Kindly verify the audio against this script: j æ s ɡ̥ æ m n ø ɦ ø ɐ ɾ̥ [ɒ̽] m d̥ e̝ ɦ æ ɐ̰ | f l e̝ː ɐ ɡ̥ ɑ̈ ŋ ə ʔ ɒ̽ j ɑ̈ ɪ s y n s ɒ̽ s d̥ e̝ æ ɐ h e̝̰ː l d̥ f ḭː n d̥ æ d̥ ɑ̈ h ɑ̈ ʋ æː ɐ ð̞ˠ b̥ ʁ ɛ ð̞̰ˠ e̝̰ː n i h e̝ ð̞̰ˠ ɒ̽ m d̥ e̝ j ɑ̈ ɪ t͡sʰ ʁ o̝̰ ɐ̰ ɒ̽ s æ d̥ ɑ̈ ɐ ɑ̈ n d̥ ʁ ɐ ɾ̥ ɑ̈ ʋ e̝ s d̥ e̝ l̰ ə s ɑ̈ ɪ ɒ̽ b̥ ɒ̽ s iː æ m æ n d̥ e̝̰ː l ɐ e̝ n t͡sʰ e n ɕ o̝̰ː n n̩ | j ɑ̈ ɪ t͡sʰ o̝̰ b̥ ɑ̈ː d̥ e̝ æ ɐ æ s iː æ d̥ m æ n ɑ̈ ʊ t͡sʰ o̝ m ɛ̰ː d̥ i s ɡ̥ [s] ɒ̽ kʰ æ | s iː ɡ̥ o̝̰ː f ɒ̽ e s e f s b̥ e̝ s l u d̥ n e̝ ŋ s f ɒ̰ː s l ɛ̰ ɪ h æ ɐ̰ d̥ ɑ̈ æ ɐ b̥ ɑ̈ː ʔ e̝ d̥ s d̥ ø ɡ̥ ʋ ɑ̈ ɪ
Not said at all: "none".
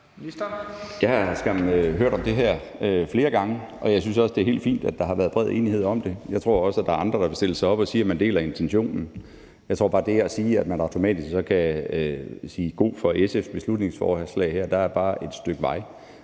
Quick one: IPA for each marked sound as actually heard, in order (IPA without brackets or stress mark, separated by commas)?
ɒ̽, s